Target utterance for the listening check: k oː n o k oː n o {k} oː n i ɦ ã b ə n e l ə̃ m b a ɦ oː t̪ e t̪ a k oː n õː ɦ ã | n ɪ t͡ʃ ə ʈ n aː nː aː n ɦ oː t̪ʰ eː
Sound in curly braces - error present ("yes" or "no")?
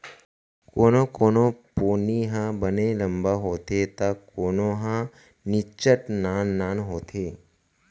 yes